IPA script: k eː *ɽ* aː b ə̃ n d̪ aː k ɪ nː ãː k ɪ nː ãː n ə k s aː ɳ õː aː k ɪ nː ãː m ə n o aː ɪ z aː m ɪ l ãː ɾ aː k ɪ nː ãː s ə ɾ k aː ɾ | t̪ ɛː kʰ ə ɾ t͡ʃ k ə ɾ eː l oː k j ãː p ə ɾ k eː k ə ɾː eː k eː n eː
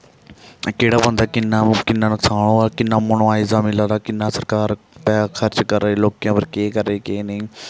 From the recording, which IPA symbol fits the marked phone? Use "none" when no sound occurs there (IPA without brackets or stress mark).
ɽ